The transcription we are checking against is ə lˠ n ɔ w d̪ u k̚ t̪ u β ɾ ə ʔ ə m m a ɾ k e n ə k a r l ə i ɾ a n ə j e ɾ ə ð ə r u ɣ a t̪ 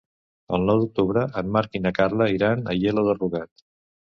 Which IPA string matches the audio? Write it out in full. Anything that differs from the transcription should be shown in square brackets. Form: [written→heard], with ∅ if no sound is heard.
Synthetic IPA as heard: ə lˠ n ɔ w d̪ u k̚ t̪ u β ɾ ə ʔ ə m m a ɾ k [e→i] n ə k a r l ə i ɾ a n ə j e [ɾ→l] ə ð ə r u ɣ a t̪